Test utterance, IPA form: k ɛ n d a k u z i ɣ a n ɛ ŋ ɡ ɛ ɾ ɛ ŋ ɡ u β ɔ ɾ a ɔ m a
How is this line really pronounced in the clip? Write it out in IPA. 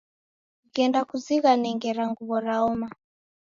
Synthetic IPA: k ɛ n d a k u z i ɣ a n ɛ ŋ ɡ ɛ ɾ a ŋ ɡ u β ɔ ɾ a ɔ m a

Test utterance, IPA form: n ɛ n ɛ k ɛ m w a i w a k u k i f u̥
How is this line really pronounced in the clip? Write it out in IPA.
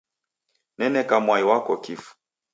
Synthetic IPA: n ɛ n ɛ k a m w a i w a k ɔ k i f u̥

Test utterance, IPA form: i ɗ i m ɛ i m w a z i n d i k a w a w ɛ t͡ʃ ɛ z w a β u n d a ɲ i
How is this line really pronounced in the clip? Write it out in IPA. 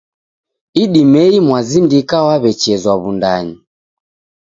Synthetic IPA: i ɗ i m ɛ i m w a z i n d i k a w a β ɛ t͡ʃ ɛ z w a β u n d a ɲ i

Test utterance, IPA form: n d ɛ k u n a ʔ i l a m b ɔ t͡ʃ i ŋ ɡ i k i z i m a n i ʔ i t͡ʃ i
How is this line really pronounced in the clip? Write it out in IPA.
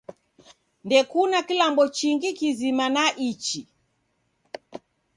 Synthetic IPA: n d ɛ k u n a k i l a m b ɔ t͡ʃ i ŋ ɡ i k i z i m a n a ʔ i t͡ʃ i

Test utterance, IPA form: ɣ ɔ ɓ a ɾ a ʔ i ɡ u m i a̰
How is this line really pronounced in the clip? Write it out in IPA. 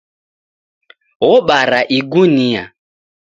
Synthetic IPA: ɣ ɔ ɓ a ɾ a ʔ i ɡ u n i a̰

